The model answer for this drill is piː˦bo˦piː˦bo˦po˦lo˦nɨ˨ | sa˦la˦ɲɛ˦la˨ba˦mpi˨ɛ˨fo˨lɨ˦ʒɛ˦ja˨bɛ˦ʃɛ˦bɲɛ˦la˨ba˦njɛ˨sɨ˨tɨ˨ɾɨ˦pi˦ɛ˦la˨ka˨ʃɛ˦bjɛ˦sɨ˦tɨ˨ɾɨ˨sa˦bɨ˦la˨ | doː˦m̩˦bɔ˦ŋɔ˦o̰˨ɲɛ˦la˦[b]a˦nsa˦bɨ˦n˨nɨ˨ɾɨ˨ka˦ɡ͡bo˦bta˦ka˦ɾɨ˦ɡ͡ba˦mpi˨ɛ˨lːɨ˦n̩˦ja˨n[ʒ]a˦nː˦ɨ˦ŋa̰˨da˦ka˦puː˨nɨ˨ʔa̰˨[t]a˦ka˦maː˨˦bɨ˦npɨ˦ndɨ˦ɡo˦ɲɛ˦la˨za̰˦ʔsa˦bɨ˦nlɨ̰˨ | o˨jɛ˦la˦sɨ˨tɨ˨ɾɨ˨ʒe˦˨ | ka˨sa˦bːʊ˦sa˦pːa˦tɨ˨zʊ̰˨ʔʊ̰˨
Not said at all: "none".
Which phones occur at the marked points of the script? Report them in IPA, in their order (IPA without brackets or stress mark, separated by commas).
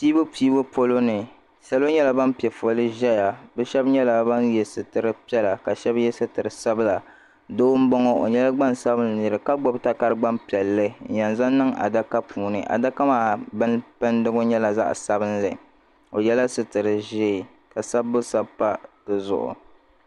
ɡ͡b, z, d